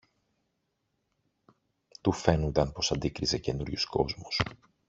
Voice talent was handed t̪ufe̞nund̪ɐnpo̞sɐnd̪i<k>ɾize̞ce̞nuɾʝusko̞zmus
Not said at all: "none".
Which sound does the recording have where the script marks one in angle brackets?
k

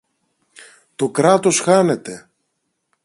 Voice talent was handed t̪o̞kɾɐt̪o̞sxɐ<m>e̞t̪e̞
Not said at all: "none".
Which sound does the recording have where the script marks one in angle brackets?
n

